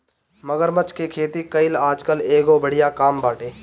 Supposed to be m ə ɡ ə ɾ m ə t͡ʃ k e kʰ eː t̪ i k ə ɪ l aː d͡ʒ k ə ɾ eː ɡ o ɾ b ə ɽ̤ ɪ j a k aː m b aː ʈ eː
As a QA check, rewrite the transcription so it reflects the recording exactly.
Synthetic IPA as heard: m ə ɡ ə ɾ m ə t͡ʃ k e kʰ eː t̪ i k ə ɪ l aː d͡ʒ k ə l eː ɡ o b ə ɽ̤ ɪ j a k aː m b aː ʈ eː